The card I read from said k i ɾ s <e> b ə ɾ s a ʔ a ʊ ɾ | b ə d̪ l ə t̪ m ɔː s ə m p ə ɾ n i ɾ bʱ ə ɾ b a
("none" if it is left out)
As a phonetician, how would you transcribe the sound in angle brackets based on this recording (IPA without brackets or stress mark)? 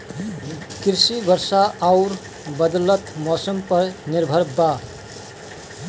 i